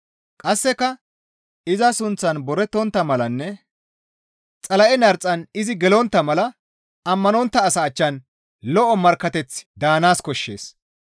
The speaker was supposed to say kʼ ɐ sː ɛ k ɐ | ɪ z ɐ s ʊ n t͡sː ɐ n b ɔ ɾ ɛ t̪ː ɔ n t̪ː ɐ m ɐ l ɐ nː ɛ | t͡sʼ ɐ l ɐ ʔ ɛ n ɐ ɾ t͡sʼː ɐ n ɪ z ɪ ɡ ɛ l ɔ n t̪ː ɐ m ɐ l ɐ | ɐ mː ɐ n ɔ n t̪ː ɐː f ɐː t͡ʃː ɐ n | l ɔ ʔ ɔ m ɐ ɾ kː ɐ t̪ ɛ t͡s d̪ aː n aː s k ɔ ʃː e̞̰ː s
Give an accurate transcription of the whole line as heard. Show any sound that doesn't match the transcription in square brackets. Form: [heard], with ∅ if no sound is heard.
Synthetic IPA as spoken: kʼ ɐ sː ɛ k ɐ | ɪ z ɐ s ʊ n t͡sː ɐ n b ɔ ɾ ɛ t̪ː ɔ n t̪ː ɐ m ɐ l ɐ nː ɛ | t͡sʼ ɐ l ɐ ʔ ɛ n ɐ ɾ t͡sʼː ɐ n ɪ z ɪ ɡ ɛ l ɔ n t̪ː ɐ m ɐ l ɐ | ɐ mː ɐ n ɔ n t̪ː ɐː [s] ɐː t͡ʃː ɐ n | l ɔ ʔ ɔ m ɐ ɾ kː ɐ t̪ ɛ t͡s d̪ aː n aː s k ɔ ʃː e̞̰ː s